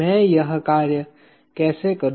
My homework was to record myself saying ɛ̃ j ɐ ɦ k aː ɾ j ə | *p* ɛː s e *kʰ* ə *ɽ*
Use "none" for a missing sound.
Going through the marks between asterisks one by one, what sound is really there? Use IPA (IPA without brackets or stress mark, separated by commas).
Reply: k, k, ɾ